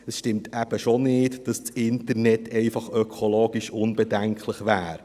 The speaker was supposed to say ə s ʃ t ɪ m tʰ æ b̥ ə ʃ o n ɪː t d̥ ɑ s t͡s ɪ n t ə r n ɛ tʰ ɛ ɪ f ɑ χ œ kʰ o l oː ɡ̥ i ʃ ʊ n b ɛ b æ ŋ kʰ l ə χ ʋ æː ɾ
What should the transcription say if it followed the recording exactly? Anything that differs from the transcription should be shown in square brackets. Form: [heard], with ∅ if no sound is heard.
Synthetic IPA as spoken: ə s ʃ t ɪ m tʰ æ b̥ ə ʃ o n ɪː t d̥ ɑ s t͡s ɪ n t ə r n ɛ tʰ ɛ ɪ f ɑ χ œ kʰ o l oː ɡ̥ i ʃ ʊ n b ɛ [d] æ ŋ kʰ l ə χ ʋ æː ɾ

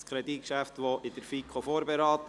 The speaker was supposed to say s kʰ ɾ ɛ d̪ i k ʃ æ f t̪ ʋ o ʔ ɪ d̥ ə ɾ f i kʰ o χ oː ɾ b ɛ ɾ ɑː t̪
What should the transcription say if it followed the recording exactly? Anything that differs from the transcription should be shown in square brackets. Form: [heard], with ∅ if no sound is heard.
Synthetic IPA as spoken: s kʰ ɾ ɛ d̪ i k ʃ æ f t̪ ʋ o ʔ ɪ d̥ ə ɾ f i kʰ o [f] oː ɾ b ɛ ɾ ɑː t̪

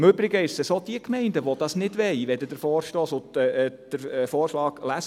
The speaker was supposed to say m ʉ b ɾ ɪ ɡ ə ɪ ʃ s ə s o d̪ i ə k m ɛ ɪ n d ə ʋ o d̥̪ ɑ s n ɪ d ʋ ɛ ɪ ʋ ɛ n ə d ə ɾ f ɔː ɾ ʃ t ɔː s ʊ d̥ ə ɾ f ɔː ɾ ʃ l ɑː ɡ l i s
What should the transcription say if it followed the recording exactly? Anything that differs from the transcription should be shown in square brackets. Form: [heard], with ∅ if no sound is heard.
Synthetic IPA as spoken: m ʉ b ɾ ɪ ɡ ə ɪ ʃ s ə s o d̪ i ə k m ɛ ɪ n d ə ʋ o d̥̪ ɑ s n ɪ d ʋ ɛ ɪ ʋ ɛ [d] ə d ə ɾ f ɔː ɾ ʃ t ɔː s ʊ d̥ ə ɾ f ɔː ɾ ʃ l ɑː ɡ l [æ] s

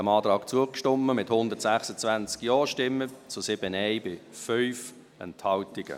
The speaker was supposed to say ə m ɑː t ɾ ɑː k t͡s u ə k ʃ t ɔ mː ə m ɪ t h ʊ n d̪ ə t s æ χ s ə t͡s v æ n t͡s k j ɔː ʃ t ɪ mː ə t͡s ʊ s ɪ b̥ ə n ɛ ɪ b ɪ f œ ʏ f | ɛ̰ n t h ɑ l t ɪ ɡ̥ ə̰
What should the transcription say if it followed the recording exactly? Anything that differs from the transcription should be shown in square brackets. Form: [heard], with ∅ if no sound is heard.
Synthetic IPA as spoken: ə m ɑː t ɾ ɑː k t͡s u ə k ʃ t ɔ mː ə m ɪ t h ʊ n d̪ ə t s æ χ s ə t͡s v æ n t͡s k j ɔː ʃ t ɪ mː ə t͡s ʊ s ɪ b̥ ə n ɛ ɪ b ɪ f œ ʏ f | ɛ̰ n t h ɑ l t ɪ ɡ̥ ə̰

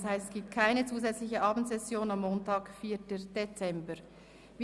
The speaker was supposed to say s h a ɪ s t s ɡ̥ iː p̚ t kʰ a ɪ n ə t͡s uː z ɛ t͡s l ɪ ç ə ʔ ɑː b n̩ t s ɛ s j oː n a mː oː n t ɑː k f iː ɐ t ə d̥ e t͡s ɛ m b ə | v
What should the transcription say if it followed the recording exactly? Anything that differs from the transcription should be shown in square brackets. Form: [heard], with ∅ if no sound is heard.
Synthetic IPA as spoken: s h a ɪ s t s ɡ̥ iː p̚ t kʰ a ɪ n ə t͡s uː z ɛ t͡s l ɪ ç ə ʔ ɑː b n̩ t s ɛ s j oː n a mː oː n t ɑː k f iː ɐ t ə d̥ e t͡s ɛ m b ə | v

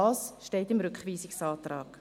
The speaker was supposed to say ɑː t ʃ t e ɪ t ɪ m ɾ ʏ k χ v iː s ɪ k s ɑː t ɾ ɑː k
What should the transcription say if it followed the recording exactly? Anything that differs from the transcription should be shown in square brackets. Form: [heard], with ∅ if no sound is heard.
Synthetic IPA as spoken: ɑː [s] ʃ t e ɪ t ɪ m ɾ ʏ k χ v iː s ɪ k s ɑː t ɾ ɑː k

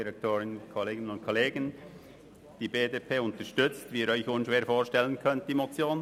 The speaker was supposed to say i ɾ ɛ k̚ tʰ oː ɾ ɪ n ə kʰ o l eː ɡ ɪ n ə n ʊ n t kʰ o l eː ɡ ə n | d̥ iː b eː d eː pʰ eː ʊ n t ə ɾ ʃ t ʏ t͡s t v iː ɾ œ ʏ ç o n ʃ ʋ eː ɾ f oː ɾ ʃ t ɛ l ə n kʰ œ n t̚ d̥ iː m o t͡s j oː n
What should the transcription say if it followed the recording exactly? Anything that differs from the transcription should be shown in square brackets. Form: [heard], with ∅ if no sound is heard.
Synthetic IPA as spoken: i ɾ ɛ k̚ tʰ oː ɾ ɪ n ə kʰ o l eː ɡ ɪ n ə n ʊ n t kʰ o l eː ɡ ə n | d̥ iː b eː d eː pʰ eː ʊ n t ə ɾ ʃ t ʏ t͡s t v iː ɾ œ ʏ ç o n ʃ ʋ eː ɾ f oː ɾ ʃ t ɛ l ə n kʰ œ n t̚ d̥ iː m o t͡s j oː n

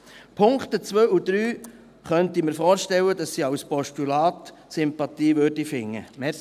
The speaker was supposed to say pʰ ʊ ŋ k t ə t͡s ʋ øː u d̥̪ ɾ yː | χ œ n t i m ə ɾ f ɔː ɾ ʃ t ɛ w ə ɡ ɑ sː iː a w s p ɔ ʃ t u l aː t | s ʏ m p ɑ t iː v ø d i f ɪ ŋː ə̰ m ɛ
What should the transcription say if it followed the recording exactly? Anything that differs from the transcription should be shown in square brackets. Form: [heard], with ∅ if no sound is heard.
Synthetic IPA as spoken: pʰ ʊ ŋ k t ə t͡s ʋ øː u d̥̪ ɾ yː | χ œ n t i m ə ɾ f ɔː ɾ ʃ t ɛ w ə [d] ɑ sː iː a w s p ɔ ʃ t u l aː t | s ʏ m p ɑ t iː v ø d i f ɪ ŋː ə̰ m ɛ

